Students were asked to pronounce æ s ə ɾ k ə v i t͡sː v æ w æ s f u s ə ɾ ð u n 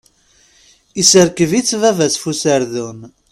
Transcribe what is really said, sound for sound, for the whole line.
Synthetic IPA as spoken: i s ə ɾ k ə v i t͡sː v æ v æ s f u s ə ɾ ð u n